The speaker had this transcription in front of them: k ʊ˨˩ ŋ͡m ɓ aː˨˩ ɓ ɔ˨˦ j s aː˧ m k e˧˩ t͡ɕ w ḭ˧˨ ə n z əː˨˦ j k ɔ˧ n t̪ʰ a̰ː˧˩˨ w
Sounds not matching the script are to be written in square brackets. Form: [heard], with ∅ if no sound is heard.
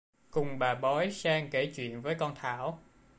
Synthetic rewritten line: k ʊ˨˩ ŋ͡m ɓ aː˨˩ ɓ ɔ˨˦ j s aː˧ [ŋ] k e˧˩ t͡ɕ w ḭ˧˨ ə n [v] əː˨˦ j k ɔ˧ n t̪ʰ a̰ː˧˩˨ w